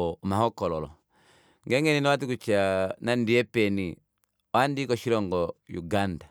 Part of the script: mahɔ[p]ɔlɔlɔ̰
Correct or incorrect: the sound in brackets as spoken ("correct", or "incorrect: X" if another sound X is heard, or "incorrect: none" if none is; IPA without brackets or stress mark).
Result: incorrect: k